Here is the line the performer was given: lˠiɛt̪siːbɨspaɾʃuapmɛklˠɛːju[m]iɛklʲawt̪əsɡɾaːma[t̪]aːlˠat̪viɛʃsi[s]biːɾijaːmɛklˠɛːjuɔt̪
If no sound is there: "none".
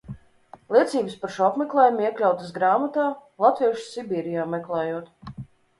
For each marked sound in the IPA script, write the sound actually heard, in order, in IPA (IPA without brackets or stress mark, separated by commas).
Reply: m, t̪, none